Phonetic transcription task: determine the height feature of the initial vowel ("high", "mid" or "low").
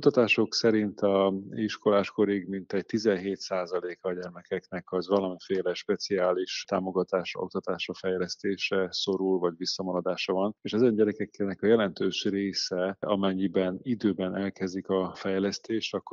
high